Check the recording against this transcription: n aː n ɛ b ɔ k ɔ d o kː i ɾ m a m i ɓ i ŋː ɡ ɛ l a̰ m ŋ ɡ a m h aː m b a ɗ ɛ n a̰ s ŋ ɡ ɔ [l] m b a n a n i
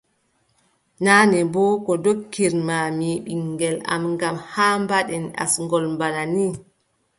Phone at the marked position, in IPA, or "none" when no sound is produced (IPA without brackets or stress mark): l